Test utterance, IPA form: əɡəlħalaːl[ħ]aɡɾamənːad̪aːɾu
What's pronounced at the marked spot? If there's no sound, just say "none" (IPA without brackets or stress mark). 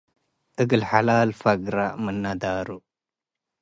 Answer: f